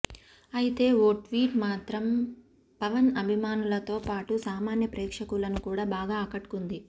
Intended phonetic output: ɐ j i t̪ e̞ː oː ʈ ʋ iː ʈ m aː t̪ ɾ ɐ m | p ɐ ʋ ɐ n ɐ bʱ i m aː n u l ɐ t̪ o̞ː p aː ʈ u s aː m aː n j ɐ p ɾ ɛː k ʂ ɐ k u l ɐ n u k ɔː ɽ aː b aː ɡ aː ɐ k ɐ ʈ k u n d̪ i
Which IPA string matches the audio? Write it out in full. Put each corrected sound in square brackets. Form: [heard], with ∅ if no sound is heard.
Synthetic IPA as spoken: ɐ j i t̪ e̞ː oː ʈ ʋ iː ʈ m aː t̪ ɾ ɐ m | p ɐ ʋ ɐ n ɐ bʱ i m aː n u l ɐ t̪ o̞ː p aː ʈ u s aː m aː n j ɐ p ɾ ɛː k ʂ ɐ k u l ɐ n u k [uː] ɽ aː b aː ɡ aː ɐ k ɐ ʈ k u n d̪ i